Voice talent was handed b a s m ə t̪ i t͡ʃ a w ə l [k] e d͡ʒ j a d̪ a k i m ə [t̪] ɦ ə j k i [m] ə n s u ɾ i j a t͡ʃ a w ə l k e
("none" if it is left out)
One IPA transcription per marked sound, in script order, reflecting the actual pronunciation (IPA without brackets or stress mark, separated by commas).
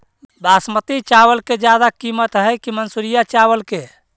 k, t̪, m